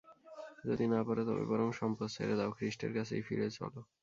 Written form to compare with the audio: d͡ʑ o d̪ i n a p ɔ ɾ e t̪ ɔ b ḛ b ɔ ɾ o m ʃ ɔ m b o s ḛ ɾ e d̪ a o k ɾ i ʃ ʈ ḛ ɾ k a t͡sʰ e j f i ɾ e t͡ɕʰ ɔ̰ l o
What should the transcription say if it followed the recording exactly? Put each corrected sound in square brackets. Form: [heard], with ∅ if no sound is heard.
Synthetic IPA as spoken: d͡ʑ o d̪ i n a p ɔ ɾ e t̪ ɔ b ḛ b ɔ ɾ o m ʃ ɔ m [p] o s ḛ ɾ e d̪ a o k ɾ i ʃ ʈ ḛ ɾ k a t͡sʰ e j f i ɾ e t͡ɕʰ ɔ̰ l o